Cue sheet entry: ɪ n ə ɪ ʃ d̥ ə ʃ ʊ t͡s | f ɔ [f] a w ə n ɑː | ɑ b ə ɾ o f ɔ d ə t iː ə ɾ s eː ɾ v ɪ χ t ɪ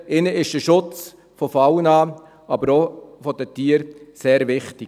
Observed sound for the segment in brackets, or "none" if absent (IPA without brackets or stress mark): f